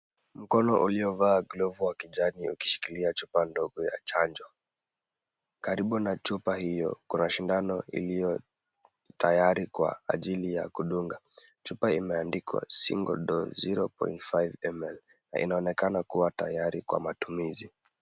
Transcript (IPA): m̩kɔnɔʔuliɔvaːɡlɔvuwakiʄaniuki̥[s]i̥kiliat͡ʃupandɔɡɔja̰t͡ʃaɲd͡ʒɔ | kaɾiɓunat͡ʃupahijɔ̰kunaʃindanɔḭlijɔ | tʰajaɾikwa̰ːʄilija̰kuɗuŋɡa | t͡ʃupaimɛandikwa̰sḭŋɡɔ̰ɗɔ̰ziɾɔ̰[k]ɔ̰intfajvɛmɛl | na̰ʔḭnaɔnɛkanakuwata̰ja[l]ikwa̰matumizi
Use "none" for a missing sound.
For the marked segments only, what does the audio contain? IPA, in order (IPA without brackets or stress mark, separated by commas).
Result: ʃ, p, ɾ